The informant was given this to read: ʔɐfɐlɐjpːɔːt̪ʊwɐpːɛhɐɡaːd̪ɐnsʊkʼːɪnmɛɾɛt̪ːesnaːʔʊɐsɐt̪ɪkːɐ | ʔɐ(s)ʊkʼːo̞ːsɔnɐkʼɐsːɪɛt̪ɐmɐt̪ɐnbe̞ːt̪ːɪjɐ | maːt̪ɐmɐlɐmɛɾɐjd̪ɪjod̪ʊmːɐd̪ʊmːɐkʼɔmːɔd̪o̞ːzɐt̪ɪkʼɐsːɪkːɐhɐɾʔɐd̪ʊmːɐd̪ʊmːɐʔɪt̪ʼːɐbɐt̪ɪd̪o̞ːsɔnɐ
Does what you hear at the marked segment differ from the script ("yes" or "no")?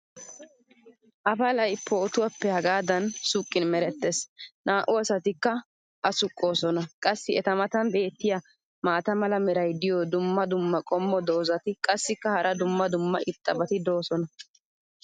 no